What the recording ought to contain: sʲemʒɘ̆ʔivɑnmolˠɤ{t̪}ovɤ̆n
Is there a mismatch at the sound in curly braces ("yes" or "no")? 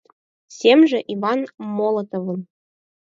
no